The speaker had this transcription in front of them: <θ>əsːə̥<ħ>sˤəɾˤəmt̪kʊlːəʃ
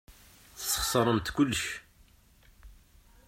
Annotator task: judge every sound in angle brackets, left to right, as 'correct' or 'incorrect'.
correct, incorrect: χ

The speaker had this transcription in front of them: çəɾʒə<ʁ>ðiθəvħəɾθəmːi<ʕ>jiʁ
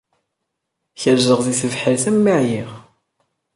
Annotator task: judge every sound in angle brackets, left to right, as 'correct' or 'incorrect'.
correct, correct

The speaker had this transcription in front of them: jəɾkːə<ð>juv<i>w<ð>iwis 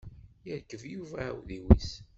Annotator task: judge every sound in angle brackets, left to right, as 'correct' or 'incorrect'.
incorrect: v, incorrect: æ, correct

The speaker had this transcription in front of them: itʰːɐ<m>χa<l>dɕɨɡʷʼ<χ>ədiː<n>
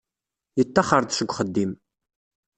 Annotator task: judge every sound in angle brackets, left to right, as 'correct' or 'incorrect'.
incorrect: none, incorrect: r, correct, incorrect: m

